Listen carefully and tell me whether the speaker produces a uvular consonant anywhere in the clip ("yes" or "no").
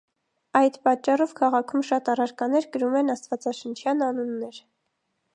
yes